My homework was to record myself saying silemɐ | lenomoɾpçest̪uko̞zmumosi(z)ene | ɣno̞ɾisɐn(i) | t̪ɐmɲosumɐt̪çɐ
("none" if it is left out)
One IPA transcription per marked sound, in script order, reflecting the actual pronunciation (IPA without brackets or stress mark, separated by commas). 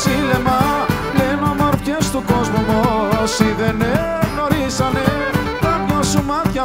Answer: ð, e